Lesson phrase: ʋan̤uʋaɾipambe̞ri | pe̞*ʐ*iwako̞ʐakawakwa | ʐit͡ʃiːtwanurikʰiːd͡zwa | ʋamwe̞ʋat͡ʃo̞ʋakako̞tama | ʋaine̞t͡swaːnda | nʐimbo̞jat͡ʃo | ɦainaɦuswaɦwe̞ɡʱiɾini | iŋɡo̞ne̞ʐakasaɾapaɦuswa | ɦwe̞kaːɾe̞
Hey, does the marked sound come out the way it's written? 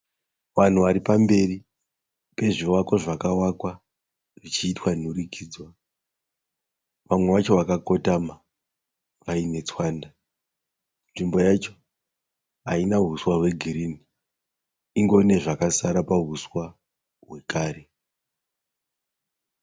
yes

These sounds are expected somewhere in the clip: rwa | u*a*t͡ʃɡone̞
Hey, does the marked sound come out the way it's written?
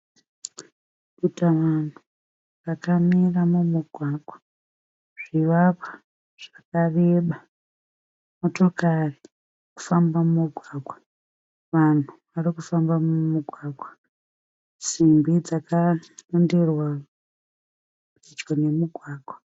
no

